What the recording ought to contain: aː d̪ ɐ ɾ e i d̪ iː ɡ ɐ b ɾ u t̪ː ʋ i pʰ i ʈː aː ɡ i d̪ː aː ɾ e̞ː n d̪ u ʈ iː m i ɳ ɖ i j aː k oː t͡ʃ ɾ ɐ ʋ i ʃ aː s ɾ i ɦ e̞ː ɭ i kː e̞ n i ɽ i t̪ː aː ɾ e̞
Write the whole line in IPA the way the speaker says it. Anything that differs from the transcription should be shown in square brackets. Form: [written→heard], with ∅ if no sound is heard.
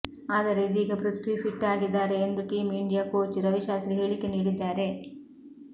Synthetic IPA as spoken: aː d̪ ɐ ɾ e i d̪ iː ɡ ɐ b ɾ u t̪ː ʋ i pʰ i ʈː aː ɡ i d̪ː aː ɾ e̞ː n d̪ u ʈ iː m i ɳ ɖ i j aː k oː t͡ʃ ɾ ɐ ʋ i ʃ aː s ɾ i ɦ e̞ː ɭ i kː e̞ n [i→iː] ɽ i [t̪ː→d̪ː] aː ɾ e̞

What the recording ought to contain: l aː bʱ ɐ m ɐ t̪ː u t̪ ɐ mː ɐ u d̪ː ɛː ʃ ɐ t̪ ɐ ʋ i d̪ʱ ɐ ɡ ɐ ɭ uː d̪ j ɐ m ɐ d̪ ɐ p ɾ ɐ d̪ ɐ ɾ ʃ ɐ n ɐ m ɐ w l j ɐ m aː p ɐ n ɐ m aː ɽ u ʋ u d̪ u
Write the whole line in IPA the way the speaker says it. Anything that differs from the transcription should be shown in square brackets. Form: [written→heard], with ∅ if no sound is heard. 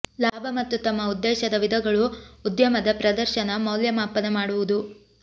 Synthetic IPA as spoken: l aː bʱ ɐ m ɐ t̪ː u t̪ ɐ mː ɐ u d̪ː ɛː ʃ ɐ [t̪→d̪] ɐ ʋ i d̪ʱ ɐ ɡ ɐ ɭ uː d̪ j ɐ m ɐ d̪ ɐ p ɾ ɐ d̪ ɐ ɾ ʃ ɐ n ɐ m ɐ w l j ɐ m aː p ɐ n ɐ m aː ɽ u ʋ u d̪ u

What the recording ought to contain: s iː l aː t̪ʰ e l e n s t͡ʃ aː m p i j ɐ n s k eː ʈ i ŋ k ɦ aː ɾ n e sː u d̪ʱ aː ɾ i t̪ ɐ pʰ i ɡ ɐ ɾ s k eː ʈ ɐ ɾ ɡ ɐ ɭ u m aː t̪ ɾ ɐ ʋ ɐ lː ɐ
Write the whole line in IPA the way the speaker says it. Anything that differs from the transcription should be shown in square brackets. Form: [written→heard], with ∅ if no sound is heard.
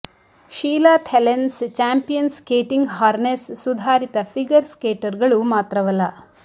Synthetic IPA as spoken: [s→ʃ] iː l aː t̪ʰ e l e n s t͡ʃ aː m p i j ɐ n s k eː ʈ i ŋ [k→ɡ] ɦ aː ɾ n e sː u d̪ʱ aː ɾ i t̪ ɐ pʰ i ɡ ɐ ɾ s k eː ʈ ɐ ɾ ɡ ɐ ɭ u m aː t̪ ɾ ɐ ʋ ɐ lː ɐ

